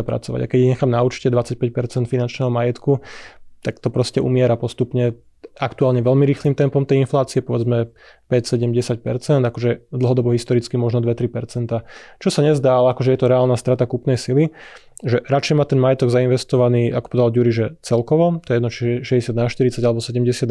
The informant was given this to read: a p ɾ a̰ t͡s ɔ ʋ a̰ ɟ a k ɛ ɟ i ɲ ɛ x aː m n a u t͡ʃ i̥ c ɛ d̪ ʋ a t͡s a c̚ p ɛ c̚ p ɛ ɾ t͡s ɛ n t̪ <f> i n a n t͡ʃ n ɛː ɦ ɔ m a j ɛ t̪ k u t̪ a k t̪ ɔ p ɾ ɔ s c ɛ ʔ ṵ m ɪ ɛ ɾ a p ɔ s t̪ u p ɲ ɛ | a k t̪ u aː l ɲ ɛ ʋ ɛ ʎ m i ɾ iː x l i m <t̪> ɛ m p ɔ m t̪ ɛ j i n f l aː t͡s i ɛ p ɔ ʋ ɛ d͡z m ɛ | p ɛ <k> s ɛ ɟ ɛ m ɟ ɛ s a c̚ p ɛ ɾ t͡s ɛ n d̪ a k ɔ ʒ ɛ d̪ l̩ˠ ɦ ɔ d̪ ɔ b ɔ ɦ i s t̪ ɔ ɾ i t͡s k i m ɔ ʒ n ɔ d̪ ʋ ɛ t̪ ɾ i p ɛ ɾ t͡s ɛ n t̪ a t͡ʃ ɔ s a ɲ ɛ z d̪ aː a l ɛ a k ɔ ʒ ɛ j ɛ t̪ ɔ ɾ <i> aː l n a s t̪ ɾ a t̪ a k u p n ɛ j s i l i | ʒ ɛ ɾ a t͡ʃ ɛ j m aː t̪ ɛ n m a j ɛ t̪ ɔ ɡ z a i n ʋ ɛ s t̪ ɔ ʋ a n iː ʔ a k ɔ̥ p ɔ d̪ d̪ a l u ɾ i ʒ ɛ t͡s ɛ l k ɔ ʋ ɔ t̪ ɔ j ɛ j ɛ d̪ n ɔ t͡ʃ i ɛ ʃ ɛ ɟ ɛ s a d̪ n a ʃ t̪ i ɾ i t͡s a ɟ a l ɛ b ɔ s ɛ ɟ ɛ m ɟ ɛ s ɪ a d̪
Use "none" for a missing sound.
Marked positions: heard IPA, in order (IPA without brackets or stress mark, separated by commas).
f, t̪, c, ɛ